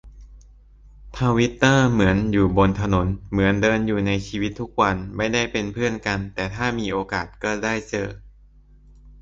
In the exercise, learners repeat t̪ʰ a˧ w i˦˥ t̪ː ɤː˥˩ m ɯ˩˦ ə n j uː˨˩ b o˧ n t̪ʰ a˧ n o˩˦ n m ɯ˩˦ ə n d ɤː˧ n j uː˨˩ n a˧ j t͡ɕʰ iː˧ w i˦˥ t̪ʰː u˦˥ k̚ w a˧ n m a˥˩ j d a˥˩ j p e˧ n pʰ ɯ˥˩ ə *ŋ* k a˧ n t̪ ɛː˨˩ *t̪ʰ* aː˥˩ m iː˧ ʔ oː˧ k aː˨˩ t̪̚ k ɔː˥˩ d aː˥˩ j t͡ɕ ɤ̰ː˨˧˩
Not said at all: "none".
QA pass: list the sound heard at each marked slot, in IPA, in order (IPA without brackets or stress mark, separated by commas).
n, t̪ʰ